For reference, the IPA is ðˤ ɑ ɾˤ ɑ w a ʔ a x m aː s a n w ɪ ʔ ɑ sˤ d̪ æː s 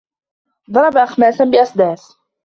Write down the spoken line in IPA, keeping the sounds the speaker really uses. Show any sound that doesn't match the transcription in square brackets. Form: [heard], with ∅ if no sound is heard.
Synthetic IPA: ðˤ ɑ ɾˤ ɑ [b] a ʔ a x m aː s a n [b] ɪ ʔ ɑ sˤ d̪ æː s